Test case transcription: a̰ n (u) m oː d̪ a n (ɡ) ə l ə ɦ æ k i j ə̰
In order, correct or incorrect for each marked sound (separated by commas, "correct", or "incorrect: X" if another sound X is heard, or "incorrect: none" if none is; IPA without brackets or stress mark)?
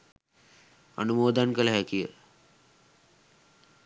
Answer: correct, incorrect: k